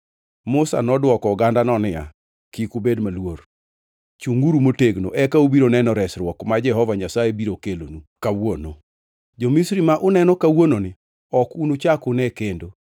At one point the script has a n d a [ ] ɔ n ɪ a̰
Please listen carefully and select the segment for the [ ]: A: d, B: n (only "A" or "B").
B